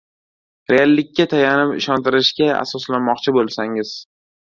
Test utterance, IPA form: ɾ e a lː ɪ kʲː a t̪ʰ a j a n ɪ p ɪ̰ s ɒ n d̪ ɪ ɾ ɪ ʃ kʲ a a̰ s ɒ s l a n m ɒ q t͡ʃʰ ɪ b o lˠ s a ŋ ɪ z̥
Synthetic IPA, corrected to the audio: ɾ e a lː ɪ kʲː a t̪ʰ a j a n ɪ p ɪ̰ ʃ ɒ n t̪ ɪ ɾ ɪ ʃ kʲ a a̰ s ɒ s l a n m ɒ q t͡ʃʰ ɪ b o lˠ s a ŋ ɪ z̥